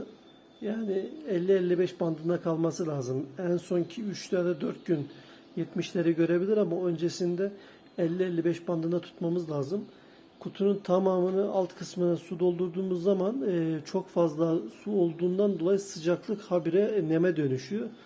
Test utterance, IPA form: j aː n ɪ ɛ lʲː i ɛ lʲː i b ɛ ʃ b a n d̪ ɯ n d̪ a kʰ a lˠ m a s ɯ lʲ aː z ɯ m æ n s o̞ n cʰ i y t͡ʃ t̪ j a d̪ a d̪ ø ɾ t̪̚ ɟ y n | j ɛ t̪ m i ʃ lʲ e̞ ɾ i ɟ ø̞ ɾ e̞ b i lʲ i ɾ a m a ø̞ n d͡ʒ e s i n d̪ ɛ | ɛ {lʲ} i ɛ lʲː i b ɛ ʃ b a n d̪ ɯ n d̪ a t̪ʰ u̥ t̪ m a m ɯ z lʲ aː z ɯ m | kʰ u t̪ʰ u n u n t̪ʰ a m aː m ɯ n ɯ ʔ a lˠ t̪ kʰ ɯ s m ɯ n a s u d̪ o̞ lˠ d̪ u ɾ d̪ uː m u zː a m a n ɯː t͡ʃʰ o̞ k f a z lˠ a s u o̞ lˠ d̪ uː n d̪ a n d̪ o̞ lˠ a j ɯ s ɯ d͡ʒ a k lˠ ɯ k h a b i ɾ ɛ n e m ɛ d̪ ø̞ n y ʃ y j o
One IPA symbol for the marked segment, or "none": lʲː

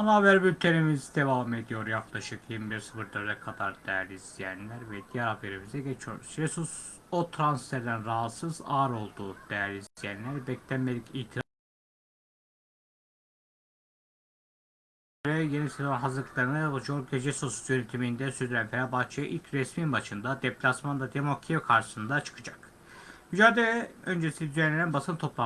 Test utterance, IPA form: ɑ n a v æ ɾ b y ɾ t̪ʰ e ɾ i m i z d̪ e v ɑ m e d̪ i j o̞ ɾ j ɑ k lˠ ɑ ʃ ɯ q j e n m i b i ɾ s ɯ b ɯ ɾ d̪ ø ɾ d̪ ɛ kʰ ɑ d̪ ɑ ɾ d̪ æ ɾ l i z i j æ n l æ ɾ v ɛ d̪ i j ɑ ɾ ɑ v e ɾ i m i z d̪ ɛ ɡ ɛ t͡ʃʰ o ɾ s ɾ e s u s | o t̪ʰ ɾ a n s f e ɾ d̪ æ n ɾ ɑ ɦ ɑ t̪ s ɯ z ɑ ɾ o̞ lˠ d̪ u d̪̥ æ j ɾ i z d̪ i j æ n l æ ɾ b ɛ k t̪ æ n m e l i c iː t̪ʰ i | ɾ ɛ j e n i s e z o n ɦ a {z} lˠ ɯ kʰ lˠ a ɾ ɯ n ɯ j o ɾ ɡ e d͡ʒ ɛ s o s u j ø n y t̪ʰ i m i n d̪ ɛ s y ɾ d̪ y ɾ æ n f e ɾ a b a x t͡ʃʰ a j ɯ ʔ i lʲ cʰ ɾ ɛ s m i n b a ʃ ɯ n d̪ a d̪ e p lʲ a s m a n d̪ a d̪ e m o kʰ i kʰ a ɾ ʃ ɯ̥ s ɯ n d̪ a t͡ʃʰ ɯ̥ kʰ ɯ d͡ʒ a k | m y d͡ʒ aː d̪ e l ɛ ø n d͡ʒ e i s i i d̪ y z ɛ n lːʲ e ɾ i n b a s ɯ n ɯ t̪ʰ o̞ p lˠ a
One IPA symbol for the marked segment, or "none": z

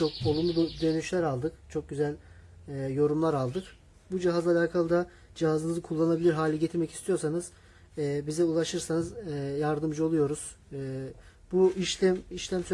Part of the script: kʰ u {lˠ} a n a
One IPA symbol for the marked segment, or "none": lˠː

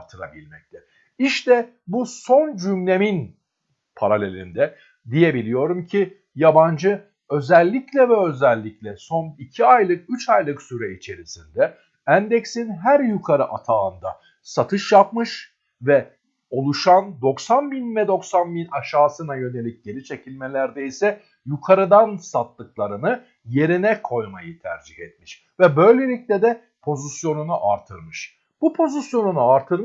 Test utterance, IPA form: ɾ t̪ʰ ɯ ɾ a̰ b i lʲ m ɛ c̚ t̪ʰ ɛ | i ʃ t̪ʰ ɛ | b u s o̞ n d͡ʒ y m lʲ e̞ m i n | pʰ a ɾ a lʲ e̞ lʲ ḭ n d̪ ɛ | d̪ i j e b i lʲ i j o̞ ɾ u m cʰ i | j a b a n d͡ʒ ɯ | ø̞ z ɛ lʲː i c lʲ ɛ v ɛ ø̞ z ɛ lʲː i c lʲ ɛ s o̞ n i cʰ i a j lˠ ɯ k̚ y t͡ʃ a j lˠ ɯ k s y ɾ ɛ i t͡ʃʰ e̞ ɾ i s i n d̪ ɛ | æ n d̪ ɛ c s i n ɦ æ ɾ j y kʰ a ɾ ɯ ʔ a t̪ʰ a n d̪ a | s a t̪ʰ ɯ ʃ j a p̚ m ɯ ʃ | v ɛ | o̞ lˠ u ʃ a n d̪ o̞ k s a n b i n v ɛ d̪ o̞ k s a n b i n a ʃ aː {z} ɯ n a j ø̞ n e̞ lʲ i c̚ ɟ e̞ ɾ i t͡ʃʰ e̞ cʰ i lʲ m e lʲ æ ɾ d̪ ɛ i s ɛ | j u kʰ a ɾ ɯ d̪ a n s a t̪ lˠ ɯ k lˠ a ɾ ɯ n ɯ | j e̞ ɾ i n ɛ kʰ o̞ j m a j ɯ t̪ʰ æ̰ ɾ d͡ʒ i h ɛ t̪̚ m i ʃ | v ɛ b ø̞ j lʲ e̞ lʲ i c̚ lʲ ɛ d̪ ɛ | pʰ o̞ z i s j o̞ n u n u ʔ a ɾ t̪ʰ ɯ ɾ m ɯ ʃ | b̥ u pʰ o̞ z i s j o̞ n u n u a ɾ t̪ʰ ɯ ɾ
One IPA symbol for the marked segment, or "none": s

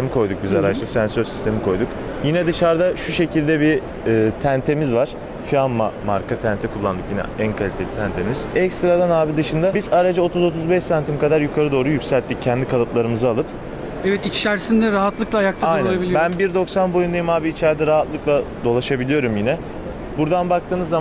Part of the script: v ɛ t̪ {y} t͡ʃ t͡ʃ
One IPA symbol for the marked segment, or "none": i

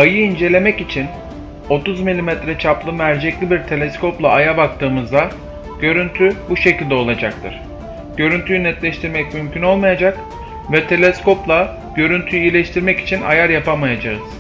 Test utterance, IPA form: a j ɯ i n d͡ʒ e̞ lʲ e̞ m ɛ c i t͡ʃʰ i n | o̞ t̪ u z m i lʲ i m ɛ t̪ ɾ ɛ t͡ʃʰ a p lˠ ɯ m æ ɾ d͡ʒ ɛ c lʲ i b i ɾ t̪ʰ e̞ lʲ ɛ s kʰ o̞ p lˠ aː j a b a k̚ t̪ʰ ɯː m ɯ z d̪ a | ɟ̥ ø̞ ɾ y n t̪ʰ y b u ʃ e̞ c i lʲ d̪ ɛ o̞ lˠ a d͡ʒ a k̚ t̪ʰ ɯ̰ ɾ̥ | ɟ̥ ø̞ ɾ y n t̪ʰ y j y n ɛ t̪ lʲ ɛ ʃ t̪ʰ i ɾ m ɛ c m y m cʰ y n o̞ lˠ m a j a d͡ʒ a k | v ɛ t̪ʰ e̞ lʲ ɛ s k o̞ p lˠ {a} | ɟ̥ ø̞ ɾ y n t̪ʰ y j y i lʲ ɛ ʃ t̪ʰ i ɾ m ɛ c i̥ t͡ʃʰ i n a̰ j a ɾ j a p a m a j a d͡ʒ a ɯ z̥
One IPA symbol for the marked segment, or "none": a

